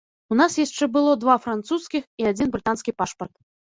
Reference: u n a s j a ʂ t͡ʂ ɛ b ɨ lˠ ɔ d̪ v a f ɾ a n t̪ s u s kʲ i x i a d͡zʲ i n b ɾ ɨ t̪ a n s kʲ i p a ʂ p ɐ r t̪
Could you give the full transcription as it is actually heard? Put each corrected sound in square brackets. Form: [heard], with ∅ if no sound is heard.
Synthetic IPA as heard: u n a s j a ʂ t͡ʂ ɛ b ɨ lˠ ɔ d̪ v a f ɾ a n t̪ s u s kʲ i x i a d͡zʲ i n b ɾ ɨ t̪ a n s kʲ i p a ʂ p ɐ r t̪

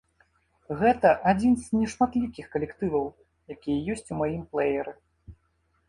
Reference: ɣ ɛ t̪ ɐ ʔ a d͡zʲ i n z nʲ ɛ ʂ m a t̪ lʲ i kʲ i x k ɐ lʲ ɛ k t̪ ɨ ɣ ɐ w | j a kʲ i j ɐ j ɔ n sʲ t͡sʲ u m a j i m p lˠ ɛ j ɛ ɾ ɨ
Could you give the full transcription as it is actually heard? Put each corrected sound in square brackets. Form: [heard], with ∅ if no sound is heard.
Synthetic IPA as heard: ɣ ɛ t̪ ɐ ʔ a d͡zʲ i n z nʲ ɛ ʂ m a t̪ lʲ i kʲ i x k ɐ lʲ ɛ k t̪ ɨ [v] ɐ w | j a kʲ i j ɐ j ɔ [∅] sʲ t͡sʲ u m a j i m p lˠ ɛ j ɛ ɾ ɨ

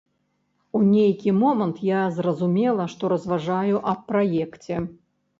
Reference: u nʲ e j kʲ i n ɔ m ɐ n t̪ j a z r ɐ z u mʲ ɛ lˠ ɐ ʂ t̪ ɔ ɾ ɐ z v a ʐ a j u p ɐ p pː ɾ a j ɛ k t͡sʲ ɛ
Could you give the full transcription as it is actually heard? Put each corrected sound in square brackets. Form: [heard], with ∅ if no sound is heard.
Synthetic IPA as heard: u nʲ e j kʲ i [m] ɔ m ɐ n t̪ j a z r ɐ z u mʲ ɛ lˠ ɐ ʂ t̪ ɔ ɾ ɐ z v a ʐ a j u [ʔ] ɐ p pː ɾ a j ɛ k t͡sʲ ɛ

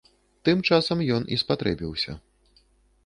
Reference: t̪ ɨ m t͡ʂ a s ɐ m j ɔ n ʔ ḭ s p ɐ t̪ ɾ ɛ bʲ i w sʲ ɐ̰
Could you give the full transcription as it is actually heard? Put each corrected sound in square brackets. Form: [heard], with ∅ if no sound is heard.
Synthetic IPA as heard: t̪ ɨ m t͡ʂ a s ɐ m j ɔ n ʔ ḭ s p [a] t̪ ɾ ɛ bʲ i w sʲ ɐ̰

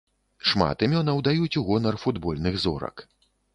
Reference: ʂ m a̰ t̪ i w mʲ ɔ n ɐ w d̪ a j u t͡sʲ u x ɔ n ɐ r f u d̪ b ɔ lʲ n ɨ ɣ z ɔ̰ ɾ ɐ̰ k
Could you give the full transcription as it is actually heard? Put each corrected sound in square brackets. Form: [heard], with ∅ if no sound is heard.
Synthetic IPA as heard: ʂ m a̰ t̪ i [∅] mʲ ɔ n ɐ w d̪ a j u t͡sʲ u [ɣ] ɔ n ɐ r f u d̪ b ɔ lʲ n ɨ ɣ z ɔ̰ ɾ ɐ̰ k

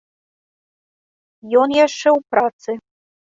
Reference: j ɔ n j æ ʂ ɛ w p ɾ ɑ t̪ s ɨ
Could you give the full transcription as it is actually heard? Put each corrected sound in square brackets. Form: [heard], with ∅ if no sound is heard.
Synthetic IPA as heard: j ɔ n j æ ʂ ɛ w p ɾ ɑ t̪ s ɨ

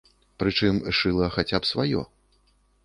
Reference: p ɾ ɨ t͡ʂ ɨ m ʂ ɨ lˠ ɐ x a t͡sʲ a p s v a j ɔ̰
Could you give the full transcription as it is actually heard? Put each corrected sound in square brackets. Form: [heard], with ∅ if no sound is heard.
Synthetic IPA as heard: p ɾ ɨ t͡ʂ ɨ m ʂ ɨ lˠ ɐ x a t͡sʲ a p s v a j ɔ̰

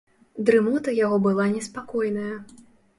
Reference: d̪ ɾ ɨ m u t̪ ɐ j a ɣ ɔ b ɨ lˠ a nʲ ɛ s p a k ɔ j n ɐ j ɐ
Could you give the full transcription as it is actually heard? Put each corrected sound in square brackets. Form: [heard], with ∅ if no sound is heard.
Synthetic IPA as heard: d̪ ɾ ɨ m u t̪ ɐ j a ɣ ɔ b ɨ lˠ a nʲ ɛ s p a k ɔ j n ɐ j ɐ

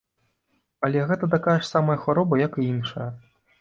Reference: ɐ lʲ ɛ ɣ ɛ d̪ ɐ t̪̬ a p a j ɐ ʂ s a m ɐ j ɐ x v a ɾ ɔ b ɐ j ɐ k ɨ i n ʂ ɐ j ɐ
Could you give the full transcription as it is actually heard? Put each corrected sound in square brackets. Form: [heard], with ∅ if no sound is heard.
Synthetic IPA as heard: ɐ lʲ ɛ ɣ ɛ [t̪] ɐ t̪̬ a [k] a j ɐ ʂ s a m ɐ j ɐ x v a ɾ ɔ b ɐ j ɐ k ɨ i n ʂ ɐ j ɐ

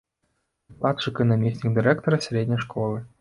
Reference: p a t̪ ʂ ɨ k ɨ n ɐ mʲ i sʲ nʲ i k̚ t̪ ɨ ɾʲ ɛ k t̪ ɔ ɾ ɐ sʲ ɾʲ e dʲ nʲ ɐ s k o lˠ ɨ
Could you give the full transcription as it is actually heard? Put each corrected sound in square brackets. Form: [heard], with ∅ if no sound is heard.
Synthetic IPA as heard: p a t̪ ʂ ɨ k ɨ n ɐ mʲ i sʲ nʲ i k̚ [d̪] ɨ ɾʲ ɛ k t̪ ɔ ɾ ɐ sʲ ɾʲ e dʲ nʲ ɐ [ʂ] k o lˠ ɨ

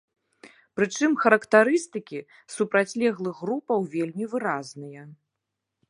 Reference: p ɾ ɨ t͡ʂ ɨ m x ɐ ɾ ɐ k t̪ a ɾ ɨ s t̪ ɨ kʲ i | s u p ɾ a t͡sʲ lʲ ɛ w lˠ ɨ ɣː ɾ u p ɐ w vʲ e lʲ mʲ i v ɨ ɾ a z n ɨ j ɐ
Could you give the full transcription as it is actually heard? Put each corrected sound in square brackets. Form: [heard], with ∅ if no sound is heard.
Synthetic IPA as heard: p ɾ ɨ t͡ʂ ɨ m x ɐ ɾ ɐ k t̪ a ɾ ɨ s t̪ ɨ kʲ i | s u p ɾ a t͡sʲ lʲ ɛ [ɣ] lˠ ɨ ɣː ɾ u p ɐ w vʲ e lʲ mʲ i v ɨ ɾ a z n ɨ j ɐ

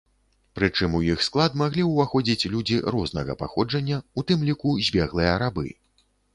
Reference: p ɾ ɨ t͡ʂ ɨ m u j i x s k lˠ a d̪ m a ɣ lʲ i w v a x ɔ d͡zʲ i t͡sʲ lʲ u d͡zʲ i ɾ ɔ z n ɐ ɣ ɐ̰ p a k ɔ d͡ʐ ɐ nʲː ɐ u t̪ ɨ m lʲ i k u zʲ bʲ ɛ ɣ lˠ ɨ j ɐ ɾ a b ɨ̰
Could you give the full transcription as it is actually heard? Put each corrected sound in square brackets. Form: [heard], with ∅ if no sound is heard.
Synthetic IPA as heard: p ɾ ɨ t͡ʂ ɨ m u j i x s k lˠ a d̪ m a ɣ lʲ i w v a x ɔ d͡zʲ i t͡sʲ lʲ u d͡zʲ i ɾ ɔ z n ɐ ɣ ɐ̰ p a [x] ɔ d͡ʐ ɐ nʲː ɐ u t̪ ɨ m lʲ i k u zʲ bʲ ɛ ɣ lˠ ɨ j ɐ ɾ a b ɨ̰

